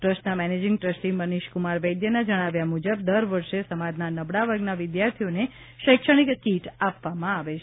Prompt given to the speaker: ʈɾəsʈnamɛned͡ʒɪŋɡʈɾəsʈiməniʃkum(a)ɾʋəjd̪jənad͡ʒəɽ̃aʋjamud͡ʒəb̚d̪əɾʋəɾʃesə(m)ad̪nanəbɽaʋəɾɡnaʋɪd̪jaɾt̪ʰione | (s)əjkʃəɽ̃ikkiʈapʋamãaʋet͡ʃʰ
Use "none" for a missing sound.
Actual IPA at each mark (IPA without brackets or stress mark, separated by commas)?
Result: a, m, ʃ